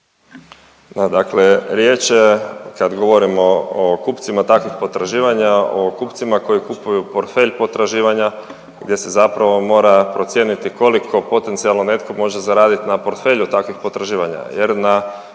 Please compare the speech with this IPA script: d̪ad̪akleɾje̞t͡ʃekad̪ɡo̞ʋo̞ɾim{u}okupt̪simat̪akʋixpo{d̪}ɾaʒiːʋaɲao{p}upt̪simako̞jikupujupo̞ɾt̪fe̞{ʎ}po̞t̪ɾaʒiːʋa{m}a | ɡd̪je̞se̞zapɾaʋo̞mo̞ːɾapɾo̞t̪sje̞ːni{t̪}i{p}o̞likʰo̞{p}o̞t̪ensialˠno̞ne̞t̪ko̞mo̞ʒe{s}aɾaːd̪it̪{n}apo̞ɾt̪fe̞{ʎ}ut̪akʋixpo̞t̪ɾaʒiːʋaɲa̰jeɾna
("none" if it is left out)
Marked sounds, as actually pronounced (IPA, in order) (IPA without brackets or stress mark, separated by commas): o, t̪, k, ʎ, ɲ, t̪, k, p, z, n, ʎ